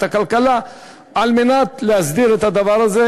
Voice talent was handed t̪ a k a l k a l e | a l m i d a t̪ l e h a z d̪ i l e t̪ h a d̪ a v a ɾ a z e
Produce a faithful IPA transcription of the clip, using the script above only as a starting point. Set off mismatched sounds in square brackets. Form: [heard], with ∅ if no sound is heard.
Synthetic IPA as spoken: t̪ a k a l k a l [a] | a l m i [n] a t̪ l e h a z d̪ i [ɾ] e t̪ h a d̪ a v a ɾ a z e